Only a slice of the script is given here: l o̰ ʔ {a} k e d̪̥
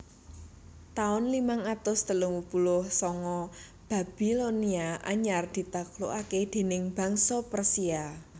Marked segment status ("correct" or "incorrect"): correct